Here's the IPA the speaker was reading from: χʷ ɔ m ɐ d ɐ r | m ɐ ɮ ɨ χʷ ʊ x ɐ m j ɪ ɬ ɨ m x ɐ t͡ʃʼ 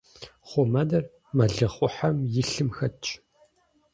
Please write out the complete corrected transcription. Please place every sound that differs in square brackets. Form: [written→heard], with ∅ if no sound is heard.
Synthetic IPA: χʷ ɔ m ɐ d ɐ r | m ɐ ɮ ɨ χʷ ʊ [x→ħ] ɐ m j ɪ ɬ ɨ m x ɐ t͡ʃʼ